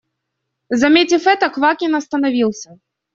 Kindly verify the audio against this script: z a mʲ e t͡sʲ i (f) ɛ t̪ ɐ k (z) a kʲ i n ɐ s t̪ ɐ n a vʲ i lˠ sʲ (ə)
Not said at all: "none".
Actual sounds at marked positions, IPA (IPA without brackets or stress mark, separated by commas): f, v, ɐ